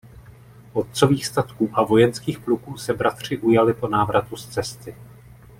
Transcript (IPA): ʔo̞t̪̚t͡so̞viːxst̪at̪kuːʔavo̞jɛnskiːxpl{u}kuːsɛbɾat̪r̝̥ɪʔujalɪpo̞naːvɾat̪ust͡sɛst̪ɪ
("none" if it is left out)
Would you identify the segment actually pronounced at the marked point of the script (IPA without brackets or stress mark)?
u